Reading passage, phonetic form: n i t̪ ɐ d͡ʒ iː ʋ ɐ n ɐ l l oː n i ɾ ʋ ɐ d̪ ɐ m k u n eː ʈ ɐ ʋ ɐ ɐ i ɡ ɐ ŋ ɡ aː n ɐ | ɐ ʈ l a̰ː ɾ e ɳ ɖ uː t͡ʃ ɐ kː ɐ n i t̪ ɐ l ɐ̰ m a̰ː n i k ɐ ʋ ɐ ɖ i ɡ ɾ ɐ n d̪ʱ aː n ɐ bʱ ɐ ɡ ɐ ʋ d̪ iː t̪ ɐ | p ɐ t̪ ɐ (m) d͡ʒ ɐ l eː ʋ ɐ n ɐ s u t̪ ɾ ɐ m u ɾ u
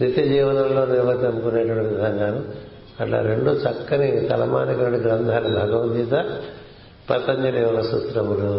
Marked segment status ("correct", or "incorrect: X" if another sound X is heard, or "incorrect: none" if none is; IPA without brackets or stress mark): incorrect: ɲ